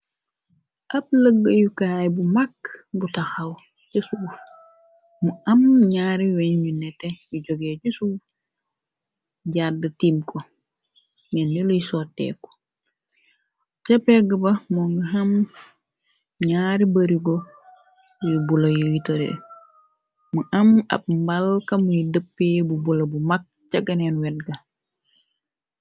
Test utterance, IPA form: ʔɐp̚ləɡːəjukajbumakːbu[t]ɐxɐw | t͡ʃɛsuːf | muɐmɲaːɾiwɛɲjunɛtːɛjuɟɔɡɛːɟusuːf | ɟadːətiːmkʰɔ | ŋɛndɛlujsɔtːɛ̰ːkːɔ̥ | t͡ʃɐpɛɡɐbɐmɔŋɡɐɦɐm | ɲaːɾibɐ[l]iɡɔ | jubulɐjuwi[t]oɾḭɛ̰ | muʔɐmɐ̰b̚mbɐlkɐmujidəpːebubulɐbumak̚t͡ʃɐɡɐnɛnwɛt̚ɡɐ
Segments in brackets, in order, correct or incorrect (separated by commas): correct, incorrect, correct